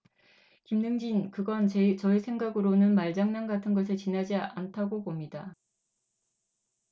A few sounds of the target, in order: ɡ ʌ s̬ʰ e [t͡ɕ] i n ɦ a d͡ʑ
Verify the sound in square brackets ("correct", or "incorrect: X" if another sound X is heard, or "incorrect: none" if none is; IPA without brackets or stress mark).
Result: correct